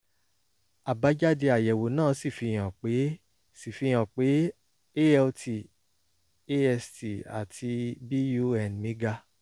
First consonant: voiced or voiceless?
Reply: voiced